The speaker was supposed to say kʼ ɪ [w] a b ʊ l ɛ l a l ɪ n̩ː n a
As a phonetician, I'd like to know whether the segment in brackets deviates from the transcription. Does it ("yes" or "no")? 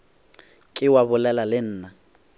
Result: no